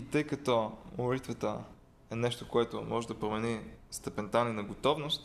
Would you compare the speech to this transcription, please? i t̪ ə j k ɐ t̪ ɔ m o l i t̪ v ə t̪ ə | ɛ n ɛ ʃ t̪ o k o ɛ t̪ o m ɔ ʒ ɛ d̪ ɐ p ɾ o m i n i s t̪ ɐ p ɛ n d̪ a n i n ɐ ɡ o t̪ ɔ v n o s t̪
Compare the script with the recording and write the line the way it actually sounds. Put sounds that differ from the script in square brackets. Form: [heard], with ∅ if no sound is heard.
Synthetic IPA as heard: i t̪ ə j k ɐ t̪ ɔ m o l i t̪ v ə t̪ ə | ɛ n ɛ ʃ t̪ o k o ɛ t̪ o m ɔ ʒ ɛ d̪ ɐ p ɾ o m [ɛ] n i s t̪ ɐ p ɛ n [t̪] a n i n ɐ ɡ o t̪ ɔ v n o s t̪